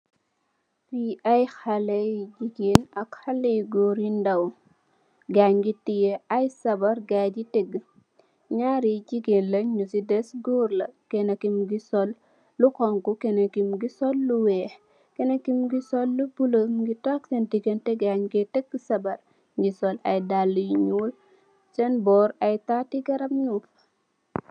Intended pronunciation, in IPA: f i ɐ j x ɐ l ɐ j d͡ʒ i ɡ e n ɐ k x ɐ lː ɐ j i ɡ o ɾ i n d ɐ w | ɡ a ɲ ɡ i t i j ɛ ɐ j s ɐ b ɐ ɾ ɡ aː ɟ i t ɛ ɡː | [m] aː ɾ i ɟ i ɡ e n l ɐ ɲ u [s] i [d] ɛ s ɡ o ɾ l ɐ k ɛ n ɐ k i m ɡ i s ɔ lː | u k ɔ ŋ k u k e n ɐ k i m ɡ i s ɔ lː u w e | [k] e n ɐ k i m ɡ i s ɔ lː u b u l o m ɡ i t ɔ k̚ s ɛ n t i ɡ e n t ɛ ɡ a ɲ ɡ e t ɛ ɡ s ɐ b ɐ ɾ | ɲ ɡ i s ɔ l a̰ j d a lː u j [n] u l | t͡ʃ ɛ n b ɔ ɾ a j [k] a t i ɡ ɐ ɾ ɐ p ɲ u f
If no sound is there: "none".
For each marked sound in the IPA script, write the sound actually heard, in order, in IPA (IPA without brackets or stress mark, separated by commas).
ɲ, s, d, k, ɲ, t